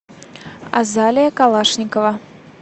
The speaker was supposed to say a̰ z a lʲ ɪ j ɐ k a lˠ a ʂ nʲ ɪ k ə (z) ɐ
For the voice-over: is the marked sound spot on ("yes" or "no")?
no